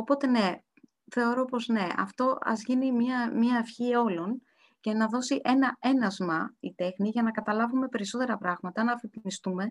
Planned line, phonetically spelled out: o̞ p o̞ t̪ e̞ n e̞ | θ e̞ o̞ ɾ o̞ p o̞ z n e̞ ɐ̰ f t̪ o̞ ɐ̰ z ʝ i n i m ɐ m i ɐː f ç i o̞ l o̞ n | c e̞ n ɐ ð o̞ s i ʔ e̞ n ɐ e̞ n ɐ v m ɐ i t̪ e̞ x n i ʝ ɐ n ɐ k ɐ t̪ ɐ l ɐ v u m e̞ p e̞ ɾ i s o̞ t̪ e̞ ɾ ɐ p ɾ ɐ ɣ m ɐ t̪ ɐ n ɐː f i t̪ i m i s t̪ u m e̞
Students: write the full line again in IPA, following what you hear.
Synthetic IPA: o̞ p o̞ t̪ e̞ n e̞ | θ e̞ o̞ ɾ o̞ p o̞ z n e̞ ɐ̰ f t̪ o̞ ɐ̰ z ʝ i n i m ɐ m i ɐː f ç i o̞ l o̞ n | c e̞ n ɐ ð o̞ s i ʔ e̞ n ɐ e̞ n ɐ z m ɐ i t̪ e̞ x n i ʝ ɐ n ɐ k ɐ t̪ ɐ l ɐ v u m e̞ p e̞ ɾ i s o̞ t̪ e̞ ɾ ɐ p ɾ ɐ ɣ m ɐ t̪ ɐ n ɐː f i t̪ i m i s t̪ u m e̞